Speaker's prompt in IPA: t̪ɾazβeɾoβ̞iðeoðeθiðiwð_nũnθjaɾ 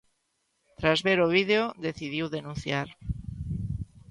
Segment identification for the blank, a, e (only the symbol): e